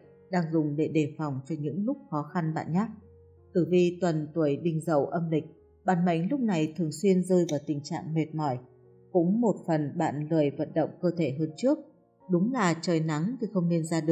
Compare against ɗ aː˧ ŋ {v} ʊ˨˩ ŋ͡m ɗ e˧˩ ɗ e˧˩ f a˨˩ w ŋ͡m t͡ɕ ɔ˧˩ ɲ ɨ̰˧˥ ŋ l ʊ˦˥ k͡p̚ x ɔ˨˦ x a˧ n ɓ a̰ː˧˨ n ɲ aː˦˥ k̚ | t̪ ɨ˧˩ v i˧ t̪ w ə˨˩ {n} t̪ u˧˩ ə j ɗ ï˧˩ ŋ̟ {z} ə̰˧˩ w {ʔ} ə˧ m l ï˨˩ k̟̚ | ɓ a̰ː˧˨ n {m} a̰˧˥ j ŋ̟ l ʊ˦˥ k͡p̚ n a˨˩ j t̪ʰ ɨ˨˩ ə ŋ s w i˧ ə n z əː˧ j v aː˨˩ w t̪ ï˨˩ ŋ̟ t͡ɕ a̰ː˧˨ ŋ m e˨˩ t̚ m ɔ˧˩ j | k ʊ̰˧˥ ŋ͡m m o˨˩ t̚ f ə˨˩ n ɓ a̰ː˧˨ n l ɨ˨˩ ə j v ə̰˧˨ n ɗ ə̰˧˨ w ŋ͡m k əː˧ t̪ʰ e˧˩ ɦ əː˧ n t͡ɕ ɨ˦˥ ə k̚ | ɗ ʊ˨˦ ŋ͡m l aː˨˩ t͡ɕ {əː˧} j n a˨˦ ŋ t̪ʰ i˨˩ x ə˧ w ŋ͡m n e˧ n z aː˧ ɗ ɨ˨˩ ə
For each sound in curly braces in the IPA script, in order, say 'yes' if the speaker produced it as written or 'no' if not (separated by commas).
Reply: no, yes, yes, yes, yes, no